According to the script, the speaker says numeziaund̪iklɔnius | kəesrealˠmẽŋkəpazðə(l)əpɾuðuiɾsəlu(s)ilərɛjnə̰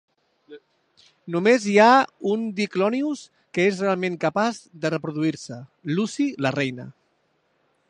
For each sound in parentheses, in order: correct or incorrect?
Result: incorrect, correct

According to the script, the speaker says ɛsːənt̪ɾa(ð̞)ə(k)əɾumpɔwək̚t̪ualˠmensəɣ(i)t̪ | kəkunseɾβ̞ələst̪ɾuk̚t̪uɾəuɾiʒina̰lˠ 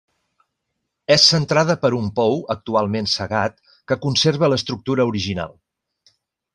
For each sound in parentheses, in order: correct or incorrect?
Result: correct, incorrect, incorrect

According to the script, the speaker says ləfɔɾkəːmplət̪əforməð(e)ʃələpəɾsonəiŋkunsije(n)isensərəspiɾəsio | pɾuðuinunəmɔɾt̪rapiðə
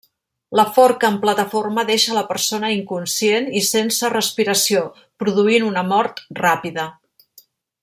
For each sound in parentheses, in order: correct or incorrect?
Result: correct, correct

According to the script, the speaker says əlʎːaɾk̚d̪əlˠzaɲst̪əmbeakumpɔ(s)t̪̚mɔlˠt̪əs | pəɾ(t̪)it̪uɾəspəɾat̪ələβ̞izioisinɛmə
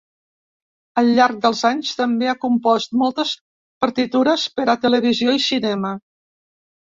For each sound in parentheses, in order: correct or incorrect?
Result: correct, correct

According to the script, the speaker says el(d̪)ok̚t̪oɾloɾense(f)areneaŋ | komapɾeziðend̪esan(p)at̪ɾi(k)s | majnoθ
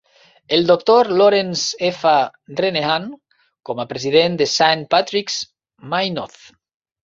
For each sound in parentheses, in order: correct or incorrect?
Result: correct, correct, correct, correct

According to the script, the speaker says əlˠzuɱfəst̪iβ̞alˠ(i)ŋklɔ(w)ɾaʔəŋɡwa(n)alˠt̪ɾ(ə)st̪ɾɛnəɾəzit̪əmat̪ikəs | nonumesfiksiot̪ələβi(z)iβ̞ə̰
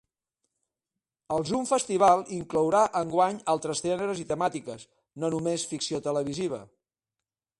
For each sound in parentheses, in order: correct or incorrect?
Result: correct, correct, incorrect, correct, correct

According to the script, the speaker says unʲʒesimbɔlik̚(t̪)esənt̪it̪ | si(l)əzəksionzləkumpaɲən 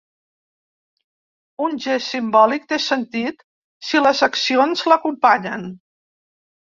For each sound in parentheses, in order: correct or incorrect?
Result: correct, correct

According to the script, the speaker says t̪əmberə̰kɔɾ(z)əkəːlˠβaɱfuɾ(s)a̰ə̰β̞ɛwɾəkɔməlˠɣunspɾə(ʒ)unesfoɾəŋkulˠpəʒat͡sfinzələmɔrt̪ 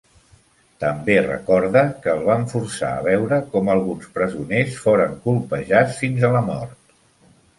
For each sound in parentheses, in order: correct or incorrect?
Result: incorrect, correct, incorrect

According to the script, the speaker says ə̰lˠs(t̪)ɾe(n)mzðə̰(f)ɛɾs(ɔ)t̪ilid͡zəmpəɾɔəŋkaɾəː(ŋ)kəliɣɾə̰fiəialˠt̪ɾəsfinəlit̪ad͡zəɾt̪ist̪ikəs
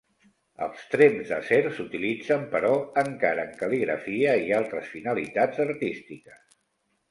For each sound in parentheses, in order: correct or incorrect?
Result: correct, incorrect, incorrect, incorrect, correct

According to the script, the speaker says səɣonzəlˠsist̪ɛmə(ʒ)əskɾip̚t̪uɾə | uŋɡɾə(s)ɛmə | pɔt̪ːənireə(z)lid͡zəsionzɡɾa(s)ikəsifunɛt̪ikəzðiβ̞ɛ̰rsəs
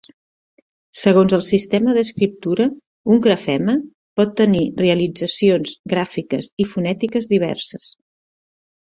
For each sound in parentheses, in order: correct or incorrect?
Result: incorrect, incorrect, incorrect, incorrect

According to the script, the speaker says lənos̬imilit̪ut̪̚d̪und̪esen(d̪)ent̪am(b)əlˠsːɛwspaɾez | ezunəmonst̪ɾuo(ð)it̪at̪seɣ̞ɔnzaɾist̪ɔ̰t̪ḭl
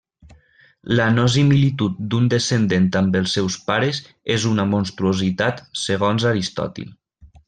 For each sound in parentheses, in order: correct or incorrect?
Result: correct, correct, incorrect

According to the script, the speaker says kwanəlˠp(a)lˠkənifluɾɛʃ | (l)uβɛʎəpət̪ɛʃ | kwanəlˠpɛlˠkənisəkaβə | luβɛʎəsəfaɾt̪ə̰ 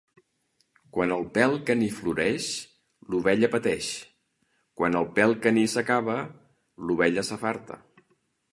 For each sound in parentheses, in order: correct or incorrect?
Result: incorrect, correct

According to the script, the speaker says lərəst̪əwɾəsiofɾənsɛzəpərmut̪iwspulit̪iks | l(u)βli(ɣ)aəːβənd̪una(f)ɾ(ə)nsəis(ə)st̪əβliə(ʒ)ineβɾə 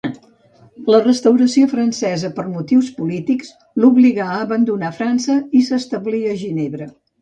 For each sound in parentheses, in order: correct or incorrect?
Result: correct, correct, correct, incorrect, correct, correct

